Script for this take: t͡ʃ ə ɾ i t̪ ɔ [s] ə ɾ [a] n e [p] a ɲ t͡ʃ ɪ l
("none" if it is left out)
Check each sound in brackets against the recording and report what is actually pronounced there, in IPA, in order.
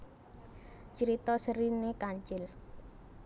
s, i, k

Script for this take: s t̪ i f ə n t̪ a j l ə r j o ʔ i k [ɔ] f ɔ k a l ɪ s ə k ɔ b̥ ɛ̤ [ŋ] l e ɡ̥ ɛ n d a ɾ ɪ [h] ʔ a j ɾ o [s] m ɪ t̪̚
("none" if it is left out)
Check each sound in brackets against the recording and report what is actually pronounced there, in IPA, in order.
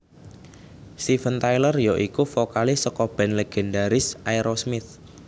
u, n, s, s

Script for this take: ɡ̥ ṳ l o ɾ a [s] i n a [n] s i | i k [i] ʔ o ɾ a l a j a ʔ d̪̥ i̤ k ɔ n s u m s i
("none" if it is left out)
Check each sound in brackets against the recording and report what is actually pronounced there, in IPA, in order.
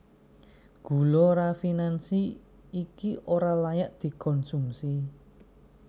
f, n, i

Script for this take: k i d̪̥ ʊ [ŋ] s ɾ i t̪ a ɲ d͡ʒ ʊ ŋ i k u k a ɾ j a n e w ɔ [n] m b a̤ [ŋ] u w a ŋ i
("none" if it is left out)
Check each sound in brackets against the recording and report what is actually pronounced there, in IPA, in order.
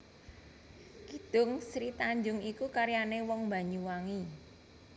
ŋ, ŋ, ɲ

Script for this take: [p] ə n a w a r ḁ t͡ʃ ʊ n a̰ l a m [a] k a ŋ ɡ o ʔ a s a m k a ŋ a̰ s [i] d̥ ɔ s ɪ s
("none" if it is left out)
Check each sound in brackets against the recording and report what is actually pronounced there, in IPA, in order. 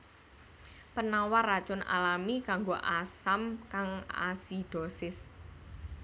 p, i, i

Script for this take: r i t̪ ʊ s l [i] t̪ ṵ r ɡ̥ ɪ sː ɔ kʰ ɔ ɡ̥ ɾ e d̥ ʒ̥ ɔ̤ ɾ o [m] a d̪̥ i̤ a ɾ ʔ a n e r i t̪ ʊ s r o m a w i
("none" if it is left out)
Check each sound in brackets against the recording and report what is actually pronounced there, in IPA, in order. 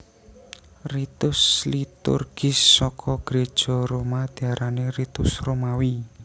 i, m

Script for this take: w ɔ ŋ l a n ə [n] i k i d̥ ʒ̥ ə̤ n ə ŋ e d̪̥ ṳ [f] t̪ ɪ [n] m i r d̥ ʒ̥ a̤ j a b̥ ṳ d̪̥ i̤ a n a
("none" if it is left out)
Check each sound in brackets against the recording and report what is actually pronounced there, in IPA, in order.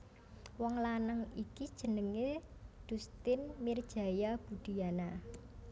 ŋ, s, n

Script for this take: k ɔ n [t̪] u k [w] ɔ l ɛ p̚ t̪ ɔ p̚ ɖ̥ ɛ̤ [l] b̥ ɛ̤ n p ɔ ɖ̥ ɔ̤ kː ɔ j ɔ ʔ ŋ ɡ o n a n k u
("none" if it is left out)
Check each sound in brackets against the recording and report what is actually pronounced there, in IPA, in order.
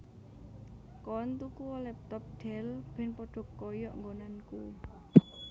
t̪, u, l

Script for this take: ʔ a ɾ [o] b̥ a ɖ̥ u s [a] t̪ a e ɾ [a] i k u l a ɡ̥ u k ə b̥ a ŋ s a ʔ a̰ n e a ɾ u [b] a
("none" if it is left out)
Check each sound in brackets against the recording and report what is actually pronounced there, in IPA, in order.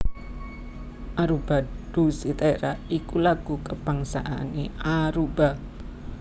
u, i, a, b

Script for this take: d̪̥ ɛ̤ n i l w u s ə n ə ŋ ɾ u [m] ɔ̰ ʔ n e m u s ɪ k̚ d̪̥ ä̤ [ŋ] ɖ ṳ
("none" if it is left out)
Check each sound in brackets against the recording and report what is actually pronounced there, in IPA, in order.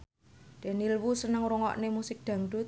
ŋ, ŋ

